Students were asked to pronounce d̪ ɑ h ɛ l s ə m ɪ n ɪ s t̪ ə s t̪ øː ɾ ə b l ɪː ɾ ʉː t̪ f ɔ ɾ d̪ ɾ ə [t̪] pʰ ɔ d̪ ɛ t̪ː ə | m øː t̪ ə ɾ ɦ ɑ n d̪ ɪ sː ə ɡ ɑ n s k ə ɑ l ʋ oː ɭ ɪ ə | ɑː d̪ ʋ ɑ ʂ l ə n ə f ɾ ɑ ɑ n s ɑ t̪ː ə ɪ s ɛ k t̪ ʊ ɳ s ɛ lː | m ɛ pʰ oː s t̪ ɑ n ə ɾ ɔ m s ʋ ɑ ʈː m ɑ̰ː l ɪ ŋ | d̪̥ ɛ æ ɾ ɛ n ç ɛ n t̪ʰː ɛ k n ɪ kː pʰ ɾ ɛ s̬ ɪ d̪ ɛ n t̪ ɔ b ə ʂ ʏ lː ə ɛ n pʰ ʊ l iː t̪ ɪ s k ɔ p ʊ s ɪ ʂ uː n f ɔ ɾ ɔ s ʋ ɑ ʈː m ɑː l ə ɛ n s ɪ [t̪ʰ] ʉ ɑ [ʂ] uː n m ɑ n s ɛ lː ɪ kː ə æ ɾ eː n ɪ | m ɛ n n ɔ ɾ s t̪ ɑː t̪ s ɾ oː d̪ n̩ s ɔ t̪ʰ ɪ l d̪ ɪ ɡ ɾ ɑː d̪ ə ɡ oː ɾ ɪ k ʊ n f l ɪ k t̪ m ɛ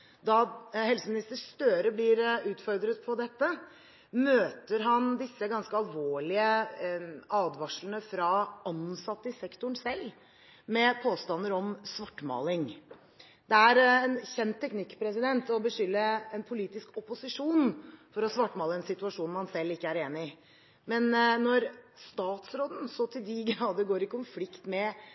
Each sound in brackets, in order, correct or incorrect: correct, incorrect: t̪, correct

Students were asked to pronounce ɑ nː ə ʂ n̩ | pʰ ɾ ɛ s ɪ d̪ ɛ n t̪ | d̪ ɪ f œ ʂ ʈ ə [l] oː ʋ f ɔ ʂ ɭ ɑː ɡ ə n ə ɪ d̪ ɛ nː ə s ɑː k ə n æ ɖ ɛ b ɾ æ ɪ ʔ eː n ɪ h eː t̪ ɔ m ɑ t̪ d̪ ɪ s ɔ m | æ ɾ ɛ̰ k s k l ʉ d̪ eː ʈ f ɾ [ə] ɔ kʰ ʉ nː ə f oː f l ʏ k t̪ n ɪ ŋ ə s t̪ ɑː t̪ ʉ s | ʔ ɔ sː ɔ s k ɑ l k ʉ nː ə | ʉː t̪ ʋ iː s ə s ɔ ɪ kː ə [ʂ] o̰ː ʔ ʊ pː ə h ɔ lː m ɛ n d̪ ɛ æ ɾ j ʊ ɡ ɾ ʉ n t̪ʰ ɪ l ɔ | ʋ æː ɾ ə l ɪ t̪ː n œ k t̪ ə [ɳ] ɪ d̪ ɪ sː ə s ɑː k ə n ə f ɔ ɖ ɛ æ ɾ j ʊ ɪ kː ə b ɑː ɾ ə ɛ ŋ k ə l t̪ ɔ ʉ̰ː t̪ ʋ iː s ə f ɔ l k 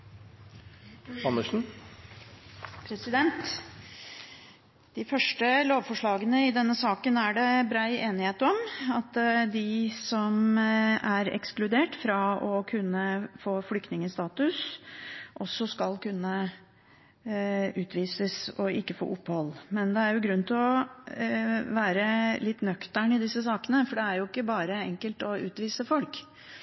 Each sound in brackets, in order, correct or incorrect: correct, incorrect: ɑ, incorrect: f, correct

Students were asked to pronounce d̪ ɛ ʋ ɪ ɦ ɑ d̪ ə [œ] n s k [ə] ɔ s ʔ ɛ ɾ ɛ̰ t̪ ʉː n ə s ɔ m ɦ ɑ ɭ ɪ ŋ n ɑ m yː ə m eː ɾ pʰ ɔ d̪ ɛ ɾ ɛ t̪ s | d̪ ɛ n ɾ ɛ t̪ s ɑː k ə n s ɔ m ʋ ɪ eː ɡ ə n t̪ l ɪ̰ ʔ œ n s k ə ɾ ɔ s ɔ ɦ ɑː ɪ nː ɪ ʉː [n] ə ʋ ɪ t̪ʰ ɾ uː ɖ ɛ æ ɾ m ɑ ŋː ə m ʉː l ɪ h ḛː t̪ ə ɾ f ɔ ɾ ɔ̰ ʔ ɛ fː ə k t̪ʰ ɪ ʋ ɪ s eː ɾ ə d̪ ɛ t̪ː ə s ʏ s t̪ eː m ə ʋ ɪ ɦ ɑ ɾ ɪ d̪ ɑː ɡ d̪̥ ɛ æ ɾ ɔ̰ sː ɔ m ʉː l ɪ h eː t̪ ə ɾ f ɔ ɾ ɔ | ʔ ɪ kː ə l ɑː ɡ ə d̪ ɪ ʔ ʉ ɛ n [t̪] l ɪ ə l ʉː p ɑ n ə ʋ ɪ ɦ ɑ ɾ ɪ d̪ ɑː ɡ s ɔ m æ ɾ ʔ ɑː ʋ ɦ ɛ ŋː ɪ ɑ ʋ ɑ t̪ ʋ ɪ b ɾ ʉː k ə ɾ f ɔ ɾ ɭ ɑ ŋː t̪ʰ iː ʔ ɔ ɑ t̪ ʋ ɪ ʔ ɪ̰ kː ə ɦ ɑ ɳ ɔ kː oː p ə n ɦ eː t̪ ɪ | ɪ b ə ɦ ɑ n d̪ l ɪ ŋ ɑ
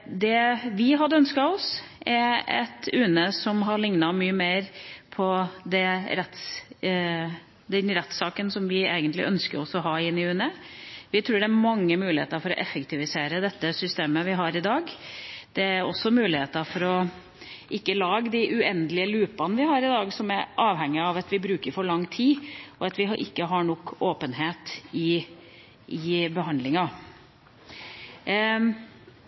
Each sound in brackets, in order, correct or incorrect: correct, incorrect: ɑ, correct, incorrect: d̪

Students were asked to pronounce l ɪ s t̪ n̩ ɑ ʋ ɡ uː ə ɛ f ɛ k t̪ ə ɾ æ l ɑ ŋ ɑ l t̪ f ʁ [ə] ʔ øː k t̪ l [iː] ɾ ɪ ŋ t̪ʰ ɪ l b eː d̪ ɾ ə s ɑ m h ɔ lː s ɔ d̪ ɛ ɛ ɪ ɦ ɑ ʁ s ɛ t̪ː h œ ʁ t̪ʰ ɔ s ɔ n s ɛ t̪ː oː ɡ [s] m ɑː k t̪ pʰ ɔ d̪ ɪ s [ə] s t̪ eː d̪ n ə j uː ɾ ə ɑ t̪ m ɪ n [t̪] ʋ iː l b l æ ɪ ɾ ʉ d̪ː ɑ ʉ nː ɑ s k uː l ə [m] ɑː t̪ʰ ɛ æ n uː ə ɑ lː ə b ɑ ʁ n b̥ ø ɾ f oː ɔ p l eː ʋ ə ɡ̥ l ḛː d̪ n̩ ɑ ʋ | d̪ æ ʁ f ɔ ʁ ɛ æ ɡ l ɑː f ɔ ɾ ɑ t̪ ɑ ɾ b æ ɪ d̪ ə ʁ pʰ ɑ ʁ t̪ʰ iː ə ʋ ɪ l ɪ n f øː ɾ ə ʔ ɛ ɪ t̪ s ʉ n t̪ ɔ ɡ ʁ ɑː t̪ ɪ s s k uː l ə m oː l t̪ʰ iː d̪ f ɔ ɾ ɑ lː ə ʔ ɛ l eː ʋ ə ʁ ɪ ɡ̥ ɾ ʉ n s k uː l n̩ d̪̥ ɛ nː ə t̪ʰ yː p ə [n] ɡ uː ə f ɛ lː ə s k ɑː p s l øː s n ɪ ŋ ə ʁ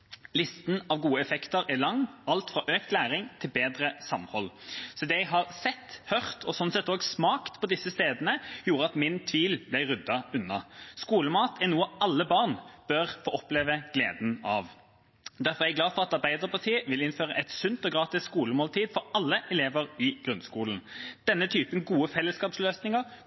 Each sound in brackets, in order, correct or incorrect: incorrect: ɑ, incorrect: æː, correct, correct, incorrect: t̪ʰ, correct, correct

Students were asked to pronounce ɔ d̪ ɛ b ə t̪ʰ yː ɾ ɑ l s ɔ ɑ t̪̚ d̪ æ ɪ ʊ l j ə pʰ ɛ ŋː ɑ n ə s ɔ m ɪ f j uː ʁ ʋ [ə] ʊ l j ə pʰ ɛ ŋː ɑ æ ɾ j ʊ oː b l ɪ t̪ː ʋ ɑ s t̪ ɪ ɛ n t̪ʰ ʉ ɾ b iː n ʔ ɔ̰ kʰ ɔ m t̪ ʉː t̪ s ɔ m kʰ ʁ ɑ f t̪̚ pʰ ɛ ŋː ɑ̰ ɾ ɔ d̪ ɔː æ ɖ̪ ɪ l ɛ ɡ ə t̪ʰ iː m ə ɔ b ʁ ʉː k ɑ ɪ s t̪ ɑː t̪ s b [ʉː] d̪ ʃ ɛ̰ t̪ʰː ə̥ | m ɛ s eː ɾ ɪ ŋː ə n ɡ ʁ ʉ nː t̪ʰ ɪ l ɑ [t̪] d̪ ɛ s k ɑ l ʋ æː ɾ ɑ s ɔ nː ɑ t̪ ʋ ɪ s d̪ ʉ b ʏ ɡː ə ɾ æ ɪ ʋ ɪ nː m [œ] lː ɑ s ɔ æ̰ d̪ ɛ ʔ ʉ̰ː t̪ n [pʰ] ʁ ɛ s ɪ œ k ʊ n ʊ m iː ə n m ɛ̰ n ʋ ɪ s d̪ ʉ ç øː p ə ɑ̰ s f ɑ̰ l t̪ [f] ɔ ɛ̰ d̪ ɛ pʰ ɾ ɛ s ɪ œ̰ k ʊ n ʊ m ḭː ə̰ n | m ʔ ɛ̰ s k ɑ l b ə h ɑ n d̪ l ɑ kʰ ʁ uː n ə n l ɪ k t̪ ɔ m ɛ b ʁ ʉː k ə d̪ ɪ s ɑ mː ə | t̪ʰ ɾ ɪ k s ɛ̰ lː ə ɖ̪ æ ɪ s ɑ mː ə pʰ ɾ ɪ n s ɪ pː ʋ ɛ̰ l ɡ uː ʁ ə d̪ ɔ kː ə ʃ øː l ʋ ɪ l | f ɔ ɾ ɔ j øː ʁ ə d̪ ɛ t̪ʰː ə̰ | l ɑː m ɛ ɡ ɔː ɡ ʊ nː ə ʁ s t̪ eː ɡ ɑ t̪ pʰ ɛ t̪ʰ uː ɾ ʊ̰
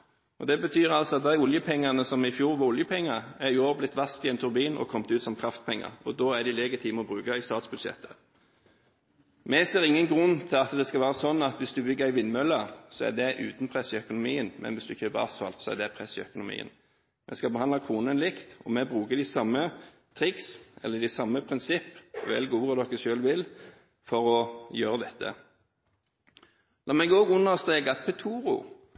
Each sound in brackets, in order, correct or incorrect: incorrect: ɑ, incorrect: ʉ, correct, correct, correct, incorrect: s

